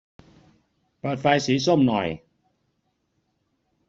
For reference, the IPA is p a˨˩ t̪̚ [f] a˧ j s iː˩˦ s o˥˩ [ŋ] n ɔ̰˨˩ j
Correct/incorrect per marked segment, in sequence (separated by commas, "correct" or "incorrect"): correct, incorrect